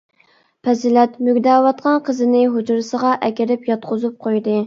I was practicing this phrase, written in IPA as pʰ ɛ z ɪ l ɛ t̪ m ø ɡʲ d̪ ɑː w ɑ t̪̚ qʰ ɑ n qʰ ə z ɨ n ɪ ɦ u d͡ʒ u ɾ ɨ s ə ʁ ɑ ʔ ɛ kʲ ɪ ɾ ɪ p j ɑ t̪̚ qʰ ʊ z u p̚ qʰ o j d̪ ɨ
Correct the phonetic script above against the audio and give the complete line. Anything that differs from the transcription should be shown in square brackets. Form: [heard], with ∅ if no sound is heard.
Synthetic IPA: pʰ ɛ z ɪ l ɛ t̪ m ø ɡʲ d̪ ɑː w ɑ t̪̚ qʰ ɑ n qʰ ə z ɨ n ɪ ɦ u d͡ʒ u ɾ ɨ s ə ʁ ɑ ʔ ɛ kʲ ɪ ɾ ɪ p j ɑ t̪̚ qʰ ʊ z u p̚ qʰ o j d̪ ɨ